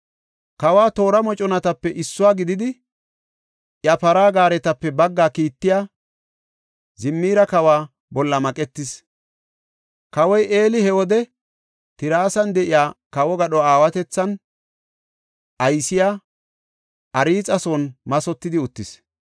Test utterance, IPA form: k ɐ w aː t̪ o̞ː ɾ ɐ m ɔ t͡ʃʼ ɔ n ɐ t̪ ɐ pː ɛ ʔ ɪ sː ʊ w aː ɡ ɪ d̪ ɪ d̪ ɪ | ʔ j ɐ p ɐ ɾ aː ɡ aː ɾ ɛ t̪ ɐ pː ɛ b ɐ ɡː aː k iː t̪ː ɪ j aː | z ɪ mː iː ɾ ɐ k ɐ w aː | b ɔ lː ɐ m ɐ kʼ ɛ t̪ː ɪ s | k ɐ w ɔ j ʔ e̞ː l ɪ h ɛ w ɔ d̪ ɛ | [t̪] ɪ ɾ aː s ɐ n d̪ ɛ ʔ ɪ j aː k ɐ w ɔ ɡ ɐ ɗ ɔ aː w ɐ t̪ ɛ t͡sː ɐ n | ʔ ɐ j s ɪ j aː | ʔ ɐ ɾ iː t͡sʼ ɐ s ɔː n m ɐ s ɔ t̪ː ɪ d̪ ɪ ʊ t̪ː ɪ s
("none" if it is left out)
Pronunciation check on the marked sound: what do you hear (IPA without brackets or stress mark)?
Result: t̪